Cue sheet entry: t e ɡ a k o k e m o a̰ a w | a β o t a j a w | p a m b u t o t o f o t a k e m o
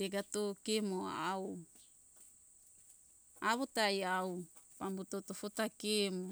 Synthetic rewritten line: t e ɡ a t o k e m o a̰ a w | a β o t a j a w | p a m b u t o t o f o t a k e m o